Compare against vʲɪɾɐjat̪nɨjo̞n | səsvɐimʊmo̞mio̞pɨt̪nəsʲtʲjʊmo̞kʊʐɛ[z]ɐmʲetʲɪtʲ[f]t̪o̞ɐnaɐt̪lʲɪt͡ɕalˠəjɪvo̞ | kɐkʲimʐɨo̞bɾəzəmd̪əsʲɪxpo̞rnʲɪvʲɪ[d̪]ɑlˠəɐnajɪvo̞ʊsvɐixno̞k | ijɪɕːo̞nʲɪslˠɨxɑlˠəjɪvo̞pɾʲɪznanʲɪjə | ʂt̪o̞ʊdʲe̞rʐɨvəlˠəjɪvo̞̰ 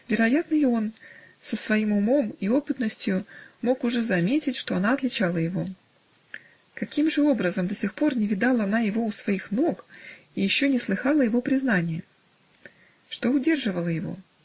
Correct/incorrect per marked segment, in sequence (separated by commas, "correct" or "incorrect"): correct, incorrect, correct